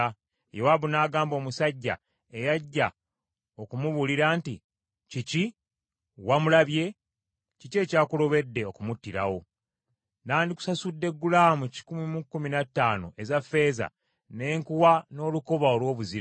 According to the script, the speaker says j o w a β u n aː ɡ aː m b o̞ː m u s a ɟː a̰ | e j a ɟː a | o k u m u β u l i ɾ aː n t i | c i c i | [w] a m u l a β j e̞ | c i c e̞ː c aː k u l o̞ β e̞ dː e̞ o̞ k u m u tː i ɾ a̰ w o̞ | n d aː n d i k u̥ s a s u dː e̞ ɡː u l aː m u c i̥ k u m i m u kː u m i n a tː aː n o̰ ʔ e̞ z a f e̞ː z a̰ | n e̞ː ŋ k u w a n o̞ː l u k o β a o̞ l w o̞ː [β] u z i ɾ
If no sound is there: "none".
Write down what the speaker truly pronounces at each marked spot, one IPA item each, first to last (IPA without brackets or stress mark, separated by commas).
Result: w, β